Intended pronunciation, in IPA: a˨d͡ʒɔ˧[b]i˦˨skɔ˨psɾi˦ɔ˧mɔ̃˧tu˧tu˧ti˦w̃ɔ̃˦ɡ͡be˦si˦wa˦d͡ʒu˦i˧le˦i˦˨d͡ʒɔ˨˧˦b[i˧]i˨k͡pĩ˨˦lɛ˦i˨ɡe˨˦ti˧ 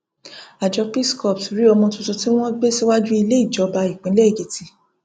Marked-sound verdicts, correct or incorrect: incorrect, incorrect

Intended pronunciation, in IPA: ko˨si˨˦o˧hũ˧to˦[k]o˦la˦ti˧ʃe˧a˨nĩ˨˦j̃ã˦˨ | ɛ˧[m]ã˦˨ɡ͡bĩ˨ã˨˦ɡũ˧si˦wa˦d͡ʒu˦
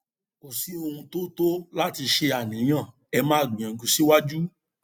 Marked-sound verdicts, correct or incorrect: incorrect, correct

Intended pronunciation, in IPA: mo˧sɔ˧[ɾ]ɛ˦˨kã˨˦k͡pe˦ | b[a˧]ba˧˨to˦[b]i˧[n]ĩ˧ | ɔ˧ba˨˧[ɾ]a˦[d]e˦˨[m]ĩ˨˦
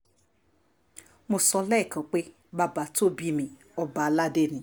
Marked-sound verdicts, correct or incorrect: incorrect, correct, correct, incorrect, incorrect, correct, incorrect

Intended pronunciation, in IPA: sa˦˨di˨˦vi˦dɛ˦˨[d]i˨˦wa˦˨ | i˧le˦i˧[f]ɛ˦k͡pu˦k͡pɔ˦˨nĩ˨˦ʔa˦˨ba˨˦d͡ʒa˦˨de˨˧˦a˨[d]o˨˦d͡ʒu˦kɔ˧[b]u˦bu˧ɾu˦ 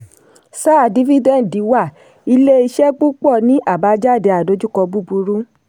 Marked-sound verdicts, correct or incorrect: correct, incorrect, correct, correct

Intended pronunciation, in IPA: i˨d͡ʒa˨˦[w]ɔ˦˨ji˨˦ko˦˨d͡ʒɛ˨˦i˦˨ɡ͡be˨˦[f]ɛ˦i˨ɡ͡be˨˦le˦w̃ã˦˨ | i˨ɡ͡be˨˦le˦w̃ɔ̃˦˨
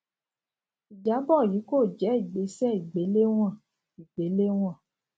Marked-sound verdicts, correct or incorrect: incorrect, incorrect

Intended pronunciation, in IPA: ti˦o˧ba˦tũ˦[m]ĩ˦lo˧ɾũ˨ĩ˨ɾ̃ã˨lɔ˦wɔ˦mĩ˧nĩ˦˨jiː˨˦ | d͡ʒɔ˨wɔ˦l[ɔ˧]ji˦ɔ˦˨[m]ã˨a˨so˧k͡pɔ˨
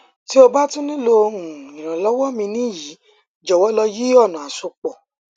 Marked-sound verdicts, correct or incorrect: incorrect, correct, incorrect

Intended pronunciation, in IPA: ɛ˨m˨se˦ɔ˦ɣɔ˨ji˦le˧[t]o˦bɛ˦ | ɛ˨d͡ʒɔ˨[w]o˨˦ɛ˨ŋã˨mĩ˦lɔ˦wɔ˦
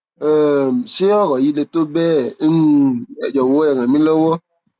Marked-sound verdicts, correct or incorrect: correct, correct

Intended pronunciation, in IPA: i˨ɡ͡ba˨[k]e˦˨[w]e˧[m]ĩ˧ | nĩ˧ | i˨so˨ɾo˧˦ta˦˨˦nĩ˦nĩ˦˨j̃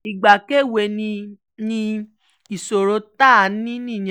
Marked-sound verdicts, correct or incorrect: correct, correct, incorrect

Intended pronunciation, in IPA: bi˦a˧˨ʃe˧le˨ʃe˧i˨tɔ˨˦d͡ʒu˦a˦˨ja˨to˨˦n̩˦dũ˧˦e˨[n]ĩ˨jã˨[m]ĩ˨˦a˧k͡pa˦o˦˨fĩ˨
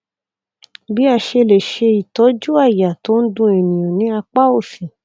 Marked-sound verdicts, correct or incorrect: correct, incorrect

